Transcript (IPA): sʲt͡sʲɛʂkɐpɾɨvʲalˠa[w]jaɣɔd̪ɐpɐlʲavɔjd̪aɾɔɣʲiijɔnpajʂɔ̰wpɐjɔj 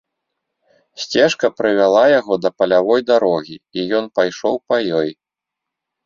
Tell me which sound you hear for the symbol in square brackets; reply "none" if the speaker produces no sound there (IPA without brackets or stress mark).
none